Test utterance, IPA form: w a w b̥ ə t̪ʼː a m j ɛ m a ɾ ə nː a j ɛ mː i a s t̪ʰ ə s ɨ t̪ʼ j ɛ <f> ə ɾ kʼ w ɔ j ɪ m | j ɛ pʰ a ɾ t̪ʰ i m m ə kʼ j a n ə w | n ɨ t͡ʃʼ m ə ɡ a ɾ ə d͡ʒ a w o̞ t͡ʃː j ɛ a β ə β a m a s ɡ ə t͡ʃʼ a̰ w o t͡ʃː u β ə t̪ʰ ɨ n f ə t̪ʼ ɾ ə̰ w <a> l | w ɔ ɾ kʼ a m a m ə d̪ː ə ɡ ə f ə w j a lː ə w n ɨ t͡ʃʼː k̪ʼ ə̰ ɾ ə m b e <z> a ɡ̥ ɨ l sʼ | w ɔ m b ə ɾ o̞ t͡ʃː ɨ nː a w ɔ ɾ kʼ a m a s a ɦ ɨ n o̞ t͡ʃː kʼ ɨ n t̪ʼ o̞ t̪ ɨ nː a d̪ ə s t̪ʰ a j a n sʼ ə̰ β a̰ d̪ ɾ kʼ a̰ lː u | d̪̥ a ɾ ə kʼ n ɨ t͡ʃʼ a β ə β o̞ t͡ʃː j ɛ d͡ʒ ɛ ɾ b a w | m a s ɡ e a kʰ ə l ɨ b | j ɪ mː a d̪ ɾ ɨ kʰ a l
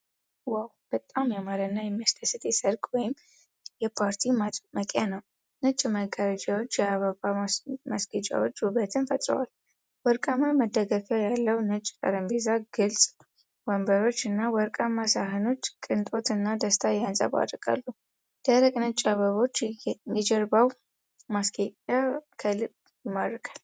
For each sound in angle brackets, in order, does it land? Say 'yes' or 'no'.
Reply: no, yes, yes

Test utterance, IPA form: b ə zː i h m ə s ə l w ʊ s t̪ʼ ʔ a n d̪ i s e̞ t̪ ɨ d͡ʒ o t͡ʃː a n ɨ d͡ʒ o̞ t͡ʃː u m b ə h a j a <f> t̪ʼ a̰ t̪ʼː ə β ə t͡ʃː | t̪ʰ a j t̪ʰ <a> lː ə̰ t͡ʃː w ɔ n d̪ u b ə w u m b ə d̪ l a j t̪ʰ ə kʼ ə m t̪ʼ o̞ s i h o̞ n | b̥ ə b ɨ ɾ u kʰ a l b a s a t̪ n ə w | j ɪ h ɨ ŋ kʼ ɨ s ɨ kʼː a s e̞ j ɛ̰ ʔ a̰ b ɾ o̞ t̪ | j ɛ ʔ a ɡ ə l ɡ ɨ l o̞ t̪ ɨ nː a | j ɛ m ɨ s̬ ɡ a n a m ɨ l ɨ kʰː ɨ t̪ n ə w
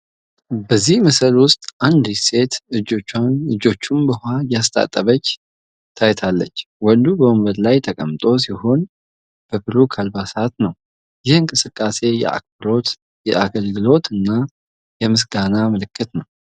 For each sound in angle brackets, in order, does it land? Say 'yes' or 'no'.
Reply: no, yes

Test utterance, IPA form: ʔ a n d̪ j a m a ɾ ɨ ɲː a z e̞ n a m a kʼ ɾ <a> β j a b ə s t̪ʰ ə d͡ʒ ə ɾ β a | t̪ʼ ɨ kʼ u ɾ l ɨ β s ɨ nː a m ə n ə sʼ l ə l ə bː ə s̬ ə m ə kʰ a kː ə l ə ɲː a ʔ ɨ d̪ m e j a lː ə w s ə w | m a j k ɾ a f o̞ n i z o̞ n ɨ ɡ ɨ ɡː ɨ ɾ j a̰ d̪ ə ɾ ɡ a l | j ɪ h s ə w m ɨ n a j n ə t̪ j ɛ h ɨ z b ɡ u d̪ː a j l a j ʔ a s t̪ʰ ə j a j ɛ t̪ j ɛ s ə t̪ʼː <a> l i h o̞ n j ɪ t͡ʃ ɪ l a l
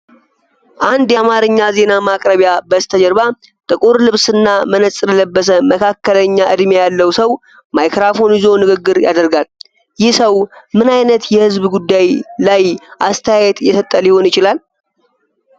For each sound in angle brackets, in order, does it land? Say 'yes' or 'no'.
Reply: no, no

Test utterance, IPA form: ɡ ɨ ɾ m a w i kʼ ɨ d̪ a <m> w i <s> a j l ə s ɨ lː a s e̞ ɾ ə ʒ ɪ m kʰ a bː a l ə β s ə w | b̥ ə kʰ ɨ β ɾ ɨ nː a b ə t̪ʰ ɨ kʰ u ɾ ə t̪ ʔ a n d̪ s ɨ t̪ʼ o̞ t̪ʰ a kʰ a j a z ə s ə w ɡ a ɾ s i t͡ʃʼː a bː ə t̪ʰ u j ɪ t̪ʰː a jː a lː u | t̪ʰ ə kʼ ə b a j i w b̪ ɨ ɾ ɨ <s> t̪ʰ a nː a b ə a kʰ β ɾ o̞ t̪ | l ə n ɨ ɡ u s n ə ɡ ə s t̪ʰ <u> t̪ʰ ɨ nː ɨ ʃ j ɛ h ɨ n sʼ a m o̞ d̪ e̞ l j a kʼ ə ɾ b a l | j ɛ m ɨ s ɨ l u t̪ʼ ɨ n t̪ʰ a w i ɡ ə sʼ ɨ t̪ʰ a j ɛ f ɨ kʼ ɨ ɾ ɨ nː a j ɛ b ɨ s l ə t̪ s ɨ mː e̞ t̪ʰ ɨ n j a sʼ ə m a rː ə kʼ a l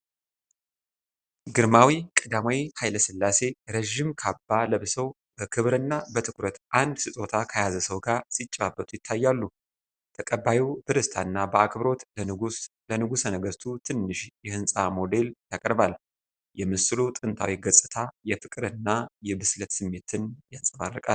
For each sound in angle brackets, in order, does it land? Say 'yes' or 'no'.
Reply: yes, no, yes, yes

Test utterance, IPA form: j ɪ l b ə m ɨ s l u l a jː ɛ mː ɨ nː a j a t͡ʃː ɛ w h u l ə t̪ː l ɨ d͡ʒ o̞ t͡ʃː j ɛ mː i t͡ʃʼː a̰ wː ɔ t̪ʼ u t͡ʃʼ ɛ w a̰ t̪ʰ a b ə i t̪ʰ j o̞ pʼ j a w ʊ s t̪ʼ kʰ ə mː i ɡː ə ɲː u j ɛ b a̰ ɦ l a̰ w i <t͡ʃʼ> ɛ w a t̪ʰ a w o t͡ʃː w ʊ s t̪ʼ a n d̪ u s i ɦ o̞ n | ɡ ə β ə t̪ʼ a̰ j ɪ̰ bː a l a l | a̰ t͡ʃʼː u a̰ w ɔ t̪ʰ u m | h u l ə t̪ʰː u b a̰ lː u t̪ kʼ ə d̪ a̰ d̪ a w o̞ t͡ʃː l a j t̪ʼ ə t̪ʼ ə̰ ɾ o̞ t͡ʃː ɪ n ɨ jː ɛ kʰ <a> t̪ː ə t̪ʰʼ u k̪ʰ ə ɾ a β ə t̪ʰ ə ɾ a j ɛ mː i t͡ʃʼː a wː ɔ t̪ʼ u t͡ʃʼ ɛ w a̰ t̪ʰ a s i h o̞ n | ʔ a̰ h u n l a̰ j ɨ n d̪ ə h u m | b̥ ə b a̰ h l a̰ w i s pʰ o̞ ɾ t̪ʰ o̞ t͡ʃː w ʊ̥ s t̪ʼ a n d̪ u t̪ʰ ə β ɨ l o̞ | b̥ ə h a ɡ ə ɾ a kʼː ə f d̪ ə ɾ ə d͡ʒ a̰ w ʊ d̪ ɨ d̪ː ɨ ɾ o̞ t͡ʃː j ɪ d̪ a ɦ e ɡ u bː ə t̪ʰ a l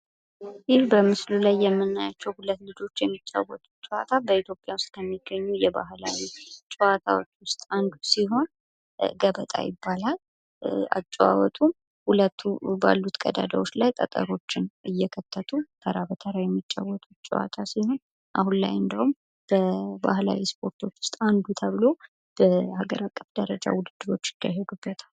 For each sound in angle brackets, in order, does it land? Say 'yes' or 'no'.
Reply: yes, no

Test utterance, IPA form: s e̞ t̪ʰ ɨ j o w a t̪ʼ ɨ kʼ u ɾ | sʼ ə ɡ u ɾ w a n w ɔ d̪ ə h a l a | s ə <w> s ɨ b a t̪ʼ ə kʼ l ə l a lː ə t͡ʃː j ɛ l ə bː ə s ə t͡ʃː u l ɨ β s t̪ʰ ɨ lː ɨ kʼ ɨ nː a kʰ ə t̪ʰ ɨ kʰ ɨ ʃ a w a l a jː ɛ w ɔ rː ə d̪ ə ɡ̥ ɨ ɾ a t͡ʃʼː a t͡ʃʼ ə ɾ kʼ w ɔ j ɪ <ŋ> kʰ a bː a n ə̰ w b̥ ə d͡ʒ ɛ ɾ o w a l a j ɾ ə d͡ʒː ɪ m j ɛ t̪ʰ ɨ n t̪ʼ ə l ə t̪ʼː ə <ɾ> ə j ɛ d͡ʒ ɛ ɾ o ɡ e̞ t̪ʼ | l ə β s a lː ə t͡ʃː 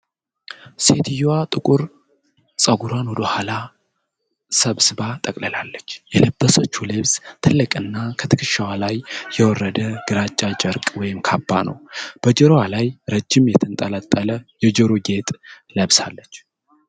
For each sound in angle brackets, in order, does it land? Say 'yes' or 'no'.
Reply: no, no, no

